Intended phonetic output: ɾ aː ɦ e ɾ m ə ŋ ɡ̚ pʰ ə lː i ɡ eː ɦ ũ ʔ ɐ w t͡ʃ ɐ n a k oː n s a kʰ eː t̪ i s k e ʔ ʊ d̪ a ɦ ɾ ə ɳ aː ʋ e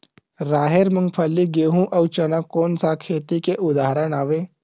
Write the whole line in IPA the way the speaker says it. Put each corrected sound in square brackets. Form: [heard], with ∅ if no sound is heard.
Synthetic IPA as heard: ɾ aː ɦ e ɾ m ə ŋ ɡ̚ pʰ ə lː i ɡ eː ɦ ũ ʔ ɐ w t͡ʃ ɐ n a k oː n s a kʰ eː t̪ i [∅] k e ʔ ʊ d̪ a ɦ ɾ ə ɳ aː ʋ e